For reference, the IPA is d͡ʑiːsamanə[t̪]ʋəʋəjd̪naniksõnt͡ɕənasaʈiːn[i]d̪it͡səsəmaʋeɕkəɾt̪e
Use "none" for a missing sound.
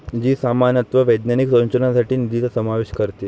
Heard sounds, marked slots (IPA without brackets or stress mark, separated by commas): t̪, i